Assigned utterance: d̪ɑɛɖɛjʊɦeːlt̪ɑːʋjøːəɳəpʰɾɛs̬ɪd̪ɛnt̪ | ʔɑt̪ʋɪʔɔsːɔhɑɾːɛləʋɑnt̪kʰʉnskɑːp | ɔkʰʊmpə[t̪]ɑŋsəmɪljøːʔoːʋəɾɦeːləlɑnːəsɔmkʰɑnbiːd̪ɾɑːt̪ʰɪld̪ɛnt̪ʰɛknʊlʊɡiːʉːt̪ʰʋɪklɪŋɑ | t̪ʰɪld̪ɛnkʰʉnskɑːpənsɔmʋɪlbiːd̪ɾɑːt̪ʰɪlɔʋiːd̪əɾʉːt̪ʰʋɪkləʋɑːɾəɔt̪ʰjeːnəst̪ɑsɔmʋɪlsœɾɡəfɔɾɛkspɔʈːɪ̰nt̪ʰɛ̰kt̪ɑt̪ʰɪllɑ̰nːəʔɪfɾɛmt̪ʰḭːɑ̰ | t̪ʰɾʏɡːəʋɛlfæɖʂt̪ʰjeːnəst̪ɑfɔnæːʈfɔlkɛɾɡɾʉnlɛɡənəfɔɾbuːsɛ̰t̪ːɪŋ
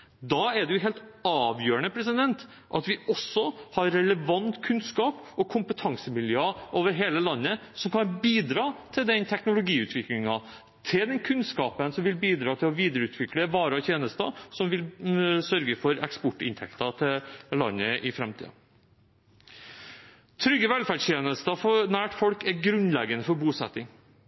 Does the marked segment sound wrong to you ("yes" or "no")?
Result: yes